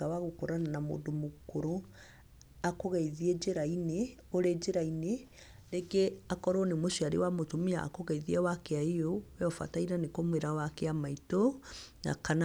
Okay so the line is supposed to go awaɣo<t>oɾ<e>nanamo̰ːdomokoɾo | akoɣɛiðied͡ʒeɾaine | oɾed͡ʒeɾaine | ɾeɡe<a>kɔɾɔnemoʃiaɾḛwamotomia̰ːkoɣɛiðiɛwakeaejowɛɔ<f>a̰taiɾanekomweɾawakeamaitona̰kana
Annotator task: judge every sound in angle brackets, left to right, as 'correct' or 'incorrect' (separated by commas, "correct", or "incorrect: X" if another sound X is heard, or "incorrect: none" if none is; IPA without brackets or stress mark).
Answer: incorrect: k, incorrect: a, correct, correct